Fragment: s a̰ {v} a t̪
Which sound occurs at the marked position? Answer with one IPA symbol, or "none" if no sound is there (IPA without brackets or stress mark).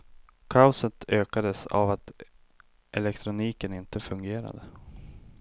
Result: v